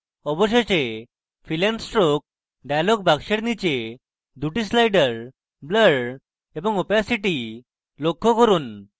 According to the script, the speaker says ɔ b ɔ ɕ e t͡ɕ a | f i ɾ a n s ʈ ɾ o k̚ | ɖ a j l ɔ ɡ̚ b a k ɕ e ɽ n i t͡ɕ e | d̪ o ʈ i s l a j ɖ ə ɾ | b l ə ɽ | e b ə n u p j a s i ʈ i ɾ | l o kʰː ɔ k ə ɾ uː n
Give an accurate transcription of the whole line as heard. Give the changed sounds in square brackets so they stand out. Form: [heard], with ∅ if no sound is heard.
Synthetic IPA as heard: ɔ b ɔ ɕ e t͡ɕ [e] | f i [l] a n s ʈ ɾ o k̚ | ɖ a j l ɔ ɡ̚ b a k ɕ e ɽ n i t͡ɕ e | d̪ [u] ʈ i s l a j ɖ ə ɾ | b l ə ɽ | e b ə [ŋ] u p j a s i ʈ i [∅] | l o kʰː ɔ k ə ɾ uː n